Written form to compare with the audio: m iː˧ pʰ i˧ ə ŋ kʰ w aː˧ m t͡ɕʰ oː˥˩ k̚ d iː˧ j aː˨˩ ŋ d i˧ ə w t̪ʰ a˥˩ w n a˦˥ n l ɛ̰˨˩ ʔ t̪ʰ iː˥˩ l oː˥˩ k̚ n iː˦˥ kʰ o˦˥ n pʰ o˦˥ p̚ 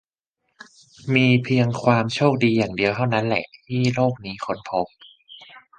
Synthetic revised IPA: m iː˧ pʰ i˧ ə ŋ kʰ w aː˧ m t͡ɕʰ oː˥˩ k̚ d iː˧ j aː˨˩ ŋ d i˧ ə w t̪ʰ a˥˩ w n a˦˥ n l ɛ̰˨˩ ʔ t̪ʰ iː˥˩ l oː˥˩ k̚ n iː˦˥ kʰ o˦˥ n pʰ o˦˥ p̚